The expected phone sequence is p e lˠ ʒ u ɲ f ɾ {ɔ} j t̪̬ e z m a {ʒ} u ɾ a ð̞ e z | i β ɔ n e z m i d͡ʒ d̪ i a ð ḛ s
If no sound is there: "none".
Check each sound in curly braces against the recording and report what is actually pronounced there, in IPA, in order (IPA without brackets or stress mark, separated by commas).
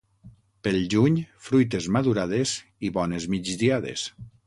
u, ð